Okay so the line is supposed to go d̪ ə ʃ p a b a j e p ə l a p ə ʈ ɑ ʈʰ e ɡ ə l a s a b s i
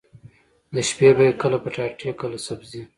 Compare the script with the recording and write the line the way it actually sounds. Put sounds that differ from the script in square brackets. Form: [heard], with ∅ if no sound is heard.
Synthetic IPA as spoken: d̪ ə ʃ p [e] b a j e [k] ə l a p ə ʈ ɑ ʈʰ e [k] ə l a s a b [z] i

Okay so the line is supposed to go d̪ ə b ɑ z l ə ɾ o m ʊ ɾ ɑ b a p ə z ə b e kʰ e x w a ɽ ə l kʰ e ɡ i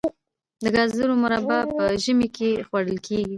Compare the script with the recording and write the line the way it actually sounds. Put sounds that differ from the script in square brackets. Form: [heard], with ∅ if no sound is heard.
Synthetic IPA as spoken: d̪ ə [ɡ] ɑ z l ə ɾ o m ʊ ɾ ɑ b a p ə [ʒ] ə [m] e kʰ e x w a ɽ ə l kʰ e ɡ i

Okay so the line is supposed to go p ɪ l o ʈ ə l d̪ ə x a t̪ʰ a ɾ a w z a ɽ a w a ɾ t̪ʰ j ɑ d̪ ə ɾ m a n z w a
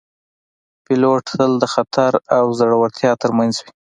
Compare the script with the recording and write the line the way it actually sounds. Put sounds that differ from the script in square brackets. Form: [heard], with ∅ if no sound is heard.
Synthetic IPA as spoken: p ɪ l o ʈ ə l d̪ ə x a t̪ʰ a ɾ a w z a ɽ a w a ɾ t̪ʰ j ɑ [t̪] ə ɾ m a n z w [i]

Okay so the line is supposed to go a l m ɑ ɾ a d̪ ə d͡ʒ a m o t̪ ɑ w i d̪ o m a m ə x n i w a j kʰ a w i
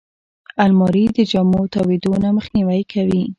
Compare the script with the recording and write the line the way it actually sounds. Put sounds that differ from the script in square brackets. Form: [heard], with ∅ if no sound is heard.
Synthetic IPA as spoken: a l m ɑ ɾ [i] d̪ ə d͡ʒ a m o t̪ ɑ w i d̪ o [n] a m ə x n i w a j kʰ a w i

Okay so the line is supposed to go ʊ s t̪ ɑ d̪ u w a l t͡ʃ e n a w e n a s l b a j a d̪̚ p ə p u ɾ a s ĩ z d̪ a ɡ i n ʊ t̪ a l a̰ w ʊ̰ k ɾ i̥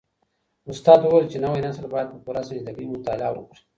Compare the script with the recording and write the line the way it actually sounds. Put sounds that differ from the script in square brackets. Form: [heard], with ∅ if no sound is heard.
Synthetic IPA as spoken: ʊ s t̪ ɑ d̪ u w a l t͡ʃ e n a w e n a s l b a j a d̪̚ p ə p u ɾ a s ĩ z d̪ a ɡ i [m] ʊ t̪ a l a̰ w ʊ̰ k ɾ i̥

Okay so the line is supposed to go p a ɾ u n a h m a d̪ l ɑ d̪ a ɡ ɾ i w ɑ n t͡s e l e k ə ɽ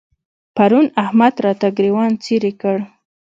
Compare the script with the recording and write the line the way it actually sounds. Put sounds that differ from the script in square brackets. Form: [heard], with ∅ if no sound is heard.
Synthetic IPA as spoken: p a ɾ u n a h m a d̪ [ɾ] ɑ [t̪] a ɡ ɾ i w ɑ n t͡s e [ɾ] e k ə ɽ

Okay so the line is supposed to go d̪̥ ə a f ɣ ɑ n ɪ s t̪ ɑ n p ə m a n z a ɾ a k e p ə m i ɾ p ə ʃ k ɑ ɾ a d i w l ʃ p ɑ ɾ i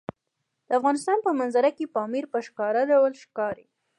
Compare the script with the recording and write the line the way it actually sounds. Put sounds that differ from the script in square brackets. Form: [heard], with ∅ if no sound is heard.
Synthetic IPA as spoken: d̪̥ ə a f ɣ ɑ n ɪ s t̪ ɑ n p ə m a n z a ɾ a k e p [ɑ] m i ɾ p ə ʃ k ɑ ɾ a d [a] w l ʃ [k] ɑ ɾ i

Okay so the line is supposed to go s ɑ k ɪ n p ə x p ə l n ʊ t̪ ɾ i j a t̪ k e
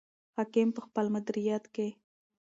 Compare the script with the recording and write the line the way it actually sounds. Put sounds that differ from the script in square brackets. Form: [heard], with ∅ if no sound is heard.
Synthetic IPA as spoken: [h] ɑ k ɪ [m] p ə x p ə l [m] ʊ [d̪] ɾ i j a t̪ k e

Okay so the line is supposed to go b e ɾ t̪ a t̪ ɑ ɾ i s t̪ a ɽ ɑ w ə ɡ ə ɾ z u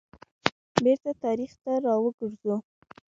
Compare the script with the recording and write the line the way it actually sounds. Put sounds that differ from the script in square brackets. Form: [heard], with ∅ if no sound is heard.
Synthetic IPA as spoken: b e ɾ t̪ a t̪ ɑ ɾ i [x] t̪ a [ɾ] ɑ w ə ɡ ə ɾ z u

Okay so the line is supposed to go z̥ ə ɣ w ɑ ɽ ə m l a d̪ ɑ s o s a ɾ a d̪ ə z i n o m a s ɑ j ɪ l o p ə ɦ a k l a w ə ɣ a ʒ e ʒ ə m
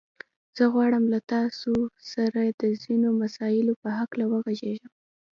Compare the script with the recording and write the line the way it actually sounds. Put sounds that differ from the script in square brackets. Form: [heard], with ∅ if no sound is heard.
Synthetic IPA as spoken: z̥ ə ɣ w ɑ ɽ ə m l a [t̪] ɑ s o s a ɾ a d̪ ə z i n o m a s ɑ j ɪ l o p ə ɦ a k l a w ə ɣ a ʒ e ʒ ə m

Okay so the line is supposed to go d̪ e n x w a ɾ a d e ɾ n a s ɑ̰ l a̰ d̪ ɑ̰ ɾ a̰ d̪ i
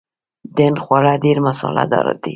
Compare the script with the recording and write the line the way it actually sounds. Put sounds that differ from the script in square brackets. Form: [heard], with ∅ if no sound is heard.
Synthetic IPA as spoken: d̪ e n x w a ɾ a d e ɾ [m] a s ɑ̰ l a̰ d̪ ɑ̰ ɾ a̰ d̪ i

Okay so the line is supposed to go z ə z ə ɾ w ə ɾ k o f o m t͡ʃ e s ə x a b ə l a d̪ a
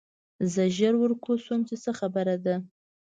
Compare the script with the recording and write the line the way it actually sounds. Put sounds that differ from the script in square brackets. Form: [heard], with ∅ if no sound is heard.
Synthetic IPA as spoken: z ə [ʒ] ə ɾ w ə ɾ k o [s] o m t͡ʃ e s ə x a b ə [ɾ] a d̪ a

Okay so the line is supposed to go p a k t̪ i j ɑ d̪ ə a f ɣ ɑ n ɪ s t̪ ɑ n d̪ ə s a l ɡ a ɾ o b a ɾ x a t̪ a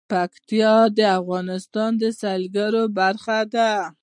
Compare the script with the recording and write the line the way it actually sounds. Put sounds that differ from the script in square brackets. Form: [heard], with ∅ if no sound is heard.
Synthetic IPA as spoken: p a k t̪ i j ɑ d̪ ə a f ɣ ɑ n ɪ s t̪ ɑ n d̪ ə s a l ɡ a ɾ o b a ɾ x a [d̪] a

